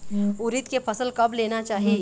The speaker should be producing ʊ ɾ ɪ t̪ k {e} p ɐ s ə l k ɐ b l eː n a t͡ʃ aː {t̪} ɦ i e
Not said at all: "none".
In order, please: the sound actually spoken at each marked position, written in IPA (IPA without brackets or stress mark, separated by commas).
e, none